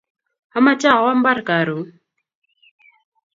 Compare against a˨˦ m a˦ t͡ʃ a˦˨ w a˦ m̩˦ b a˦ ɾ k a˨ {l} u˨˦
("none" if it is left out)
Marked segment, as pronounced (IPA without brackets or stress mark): ɾ